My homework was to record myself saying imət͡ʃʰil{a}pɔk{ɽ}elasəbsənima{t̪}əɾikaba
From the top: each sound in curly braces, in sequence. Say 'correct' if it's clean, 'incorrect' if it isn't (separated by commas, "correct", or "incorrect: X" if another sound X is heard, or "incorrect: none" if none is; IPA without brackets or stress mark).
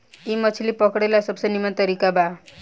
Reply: incorrect: i, correct, correct